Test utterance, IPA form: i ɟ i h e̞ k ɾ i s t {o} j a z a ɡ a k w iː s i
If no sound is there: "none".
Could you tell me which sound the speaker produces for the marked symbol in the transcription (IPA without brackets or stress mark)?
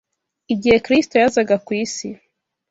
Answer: o